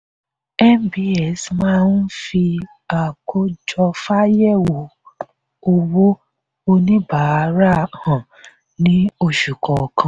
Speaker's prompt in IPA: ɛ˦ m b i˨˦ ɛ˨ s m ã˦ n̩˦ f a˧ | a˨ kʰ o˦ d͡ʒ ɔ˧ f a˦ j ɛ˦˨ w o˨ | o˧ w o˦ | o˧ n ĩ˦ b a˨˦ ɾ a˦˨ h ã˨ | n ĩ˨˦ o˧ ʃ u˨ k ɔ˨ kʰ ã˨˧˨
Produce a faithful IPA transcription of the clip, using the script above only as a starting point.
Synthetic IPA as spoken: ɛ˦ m b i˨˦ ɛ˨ s m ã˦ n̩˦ f i˧ | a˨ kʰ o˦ d͡ʒ ɔ˧ f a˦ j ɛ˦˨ w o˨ | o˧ w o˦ | o˧ n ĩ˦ b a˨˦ ɾ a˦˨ h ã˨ | n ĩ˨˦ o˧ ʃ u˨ k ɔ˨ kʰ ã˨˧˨